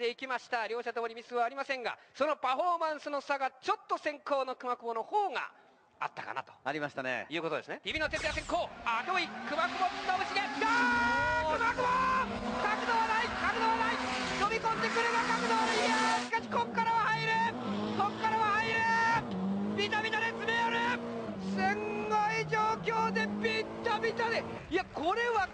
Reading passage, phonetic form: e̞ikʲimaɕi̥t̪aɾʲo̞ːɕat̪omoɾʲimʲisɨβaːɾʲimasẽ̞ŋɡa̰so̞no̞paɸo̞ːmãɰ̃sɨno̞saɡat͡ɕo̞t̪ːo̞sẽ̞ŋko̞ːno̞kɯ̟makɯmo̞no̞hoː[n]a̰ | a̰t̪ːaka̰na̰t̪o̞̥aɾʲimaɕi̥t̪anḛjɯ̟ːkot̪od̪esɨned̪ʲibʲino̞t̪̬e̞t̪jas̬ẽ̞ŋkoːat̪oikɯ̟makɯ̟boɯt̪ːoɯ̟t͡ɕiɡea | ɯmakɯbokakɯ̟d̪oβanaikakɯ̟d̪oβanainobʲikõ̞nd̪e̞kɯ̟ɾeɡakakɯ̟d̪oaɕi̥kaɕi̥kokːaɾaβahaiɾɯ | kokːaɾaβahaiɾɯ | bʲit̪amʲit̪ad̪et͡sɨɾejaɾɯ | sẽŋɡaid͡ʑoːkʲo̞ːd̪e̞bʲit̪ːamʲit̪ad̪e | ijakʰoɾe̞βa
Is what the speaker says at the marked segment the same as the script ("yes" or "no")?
no